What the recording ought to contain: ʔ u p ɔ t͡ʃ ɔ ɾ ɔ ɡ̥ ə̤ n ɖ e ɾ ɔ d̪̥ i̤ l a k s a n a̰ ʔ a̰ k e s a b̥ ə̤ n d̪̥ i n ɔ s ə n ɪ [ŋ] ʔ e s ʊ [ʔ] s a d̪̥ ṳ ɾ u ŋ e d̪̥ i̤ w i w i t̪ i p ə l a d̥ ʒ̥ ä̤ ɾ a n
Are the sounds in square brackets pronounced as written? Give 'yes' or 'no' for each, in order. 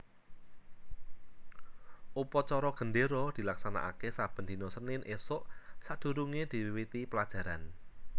no, yes

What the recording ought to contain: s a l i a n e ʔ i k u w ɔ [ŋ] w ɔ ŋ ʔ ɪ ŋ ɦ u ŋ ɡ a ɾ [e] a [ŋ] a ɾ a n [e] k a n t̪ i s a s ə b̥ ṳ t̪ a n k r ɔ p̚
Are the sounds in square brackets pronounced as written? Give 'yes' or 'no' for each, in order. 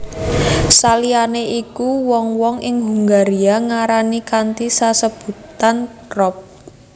yes, no, yes, no

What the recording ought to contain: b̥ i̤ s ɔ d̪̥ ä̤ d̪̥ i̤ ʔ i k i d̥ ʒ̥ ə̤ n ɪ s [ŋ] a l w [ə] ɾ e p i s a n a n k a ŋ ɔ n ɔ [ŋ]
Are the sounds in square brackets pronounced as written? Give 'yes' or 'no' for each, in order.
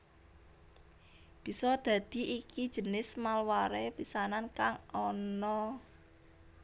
no, no, no

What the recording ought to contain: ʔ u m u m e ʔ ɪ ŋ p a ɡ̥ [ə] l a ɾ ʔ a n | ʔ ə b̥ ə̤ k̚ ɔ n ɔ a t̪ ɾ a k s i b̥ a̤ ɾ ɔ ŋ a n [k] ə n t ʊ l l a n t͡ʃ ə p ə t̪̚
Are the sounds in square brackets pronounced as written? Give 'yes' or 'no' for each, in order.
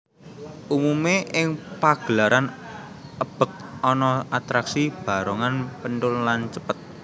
yes, no

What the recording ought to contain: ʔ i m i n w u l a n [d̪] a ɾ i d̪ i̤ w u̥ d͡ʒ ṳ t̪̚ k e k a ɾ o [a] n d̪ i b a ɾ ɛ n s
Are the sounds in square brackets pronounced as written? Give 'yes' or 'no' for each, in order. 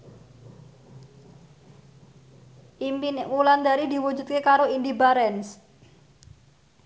yes, no

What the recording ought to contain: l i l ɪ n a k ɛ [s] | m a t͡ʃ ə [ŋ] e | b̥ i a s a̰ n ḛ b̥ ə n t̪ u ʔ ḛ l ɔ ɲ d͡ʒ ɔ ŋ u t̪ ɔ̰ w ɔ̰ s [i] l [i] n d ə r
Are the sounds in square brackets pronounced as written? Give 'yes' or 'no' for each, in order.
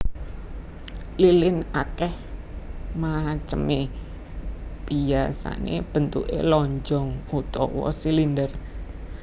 no, no, yes, yes

